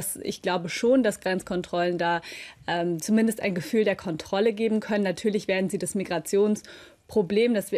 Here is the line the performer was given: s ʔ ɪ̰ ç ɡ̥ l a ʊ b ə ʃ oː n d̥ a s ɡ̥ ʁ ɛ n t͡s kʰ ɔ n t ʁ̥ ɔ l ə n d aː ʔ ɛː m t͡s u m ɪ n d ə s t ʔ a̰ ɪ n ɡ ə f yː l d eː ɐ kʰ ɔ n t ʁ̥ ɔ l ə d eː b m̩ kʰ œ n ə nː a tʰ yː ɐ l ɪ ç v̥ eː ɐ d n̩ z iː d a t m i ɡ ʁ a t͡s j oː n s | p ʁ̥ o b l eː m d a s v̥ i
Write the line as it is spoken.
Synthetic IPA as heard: s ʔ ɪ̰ ç ɡ̥ l a ʊ b ə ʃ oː n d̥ a s ɡ̥ ʁ ɛ n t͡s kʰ ɔ n t ʁ̥ ɔ l ə n d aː ʔ ɛː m t͡s u m ɪ n d ə s t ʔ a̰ ɪ n ɡ ə f yː l d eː ɐ kʰ ɔ n t ʁ̥ ɔ l ə ɡ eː b m̩ kʰ œ n ə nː a tʰ yː ɐ l ɪ ç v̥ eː ɐ d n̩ z iː d a s m i ɡ ʁ a t͡s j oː n s | p ʁ̥ o b l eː m d a s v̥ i